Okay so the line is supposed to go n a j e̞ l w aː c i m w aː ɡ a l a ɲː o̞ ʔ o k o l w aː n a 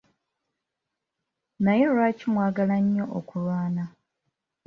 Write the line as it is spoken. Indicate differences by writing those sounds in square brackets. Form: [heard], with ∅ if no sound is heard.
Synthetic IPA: n a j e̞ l w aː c i m w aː ɡ a l a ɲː o̞ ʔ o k [u] l w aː n a